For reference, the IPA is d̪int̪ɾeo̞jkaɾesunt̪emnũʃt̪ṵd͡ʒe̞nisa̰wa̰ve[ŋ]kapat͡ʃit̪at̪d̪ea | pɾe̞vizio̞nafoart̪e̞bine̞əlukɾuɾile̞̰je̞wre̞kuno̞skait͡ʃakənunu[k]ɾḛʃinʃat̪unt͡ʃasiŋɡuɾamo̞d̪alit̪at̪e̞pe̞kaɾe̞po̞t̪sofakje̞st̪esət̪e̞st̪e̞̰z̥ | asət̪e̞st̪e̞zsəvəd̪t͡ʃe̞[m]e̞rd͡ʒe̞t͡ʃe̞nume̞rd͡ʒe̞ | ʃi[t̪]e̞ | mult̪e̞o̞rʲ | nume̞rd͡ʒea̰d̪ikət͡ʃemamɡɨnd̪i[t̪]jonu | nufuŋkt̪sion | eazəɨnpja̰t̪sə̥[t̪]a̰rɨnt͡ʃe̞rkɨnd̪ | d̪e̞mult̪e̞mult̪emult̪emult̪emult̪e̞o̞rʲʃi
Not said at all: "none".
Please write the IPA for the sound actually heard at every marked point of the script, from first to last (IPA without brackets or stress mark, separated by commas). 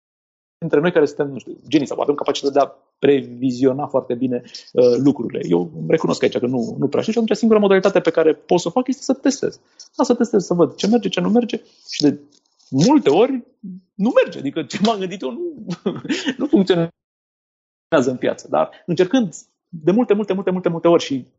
m, p, m, d̪, t̪, d̪